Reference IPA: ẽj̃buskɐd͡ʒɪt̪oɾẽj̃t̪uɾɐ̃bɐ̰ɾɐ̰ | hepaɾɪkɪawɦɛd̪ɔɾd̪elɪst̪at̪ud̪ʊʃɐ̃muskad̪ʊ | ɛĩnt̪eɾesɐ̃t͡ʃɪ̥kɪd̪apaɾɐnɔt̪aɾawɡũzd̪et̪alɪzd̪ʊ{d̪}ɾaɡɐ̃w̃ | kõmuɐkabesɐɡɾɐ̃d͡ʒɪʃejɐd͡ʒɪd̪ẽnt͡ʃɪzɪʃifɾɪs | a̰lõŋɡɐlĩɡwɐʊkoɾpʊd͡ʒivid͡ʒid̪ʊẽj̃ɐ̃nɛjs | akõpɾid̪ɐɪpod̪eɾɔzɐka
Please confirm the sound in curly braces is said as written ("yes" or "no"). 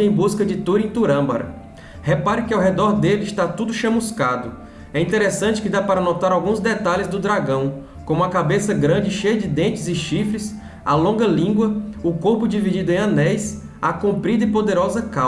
yes